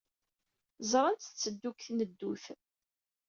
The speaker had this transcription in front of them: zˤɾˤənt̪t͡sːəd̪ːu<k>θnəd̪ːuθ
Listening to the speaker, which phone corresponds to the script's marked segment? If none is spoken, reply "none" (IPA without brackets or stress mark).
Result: k